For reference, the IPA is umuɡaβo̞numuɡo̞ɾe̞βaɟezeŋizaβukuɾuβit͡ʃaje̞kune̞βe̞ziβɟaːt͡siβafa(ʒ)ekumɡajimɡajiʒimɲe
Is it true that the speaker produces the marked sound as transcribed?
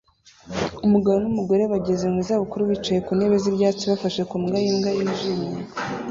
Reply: no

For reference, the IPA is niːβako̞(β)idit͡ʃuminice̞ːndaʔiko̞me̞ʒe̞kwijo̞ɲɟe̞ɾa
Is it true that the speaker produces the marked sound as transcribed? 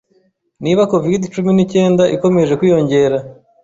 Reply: no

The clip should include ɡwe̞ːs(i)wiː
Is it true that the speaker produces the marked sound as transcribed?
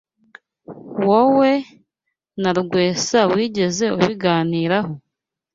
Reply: no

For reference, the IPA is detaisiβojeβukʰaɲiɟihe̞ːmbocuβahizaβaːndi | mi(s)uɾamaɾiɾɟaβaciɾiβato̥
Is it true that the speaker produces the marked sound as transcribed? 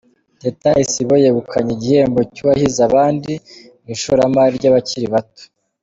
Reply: no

